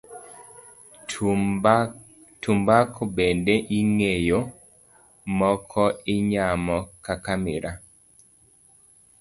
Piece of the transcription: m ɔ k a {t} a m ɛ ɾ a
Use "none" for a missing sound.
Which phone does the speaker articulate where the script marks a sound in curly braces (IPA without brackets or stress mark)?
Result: k